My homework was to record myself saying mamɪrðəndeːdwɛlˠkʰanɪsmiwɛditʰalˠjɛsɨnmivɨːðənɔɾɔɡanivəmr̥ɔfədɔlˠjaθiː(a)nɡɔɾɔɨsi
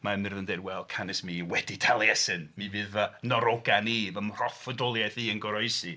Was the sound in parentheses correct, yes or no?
no